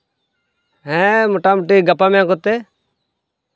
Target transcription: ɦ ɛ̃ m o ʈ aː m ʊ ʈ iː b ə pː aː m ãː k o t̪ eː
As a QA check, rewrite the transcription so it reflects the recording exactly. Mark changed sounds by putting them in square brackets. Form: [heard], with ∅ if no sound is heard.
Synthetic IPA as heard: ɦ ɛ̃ m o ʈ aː m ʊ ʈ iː [ɡ] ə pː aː m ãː k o t̪ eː